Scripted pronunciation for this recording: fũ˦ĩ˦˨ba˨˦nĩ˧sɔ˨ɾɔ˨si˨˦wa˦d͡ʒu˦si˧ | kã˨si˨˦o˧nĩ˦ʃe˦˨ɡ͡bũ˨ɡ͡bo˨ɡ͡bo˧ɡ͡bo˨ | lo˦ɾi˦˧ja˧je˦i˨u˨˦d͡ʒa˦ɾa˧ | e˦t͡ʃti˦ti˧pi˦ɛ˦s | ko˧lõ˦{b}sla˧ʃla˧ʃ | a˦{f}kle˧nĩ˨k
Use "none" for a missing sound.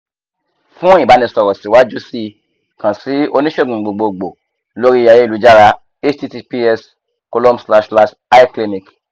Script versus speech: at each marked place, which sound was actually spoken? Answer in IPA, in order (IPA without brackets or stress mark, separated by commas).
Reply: m, none